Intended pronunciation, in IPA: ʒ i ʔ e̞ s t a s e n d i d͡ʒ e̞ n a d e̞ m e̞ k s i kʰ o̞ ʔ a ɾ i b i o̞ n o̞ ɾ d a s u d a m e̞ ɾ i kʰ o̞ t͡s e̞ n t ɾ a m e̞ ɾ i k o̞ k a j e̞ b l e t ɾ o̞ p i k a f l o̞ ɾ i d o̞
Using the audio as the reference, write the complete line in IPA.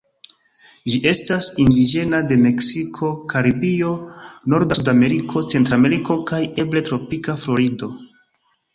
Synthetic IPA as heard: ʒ i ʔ e̞ s t a s i n d i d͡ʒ e̞ n a d e̞ m e̞ k s i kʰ o̞ k a ɾ i b i o̞ n o̞ ɾ d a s u d a m e̞ ɾ i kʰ o̞ t͡s e̞ n t ɾ a m e̞ ɾ i k o̞ k a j e̞ b l e t ɾ o̞ p i k a f l o̞ ɾ i d o̞